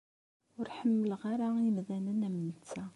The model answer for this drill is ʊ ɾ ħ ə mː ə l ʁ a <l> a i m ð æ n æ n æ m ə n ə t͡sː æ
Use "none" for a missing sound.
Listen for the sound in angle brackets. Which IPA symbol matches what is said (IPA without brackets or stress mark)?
ɾ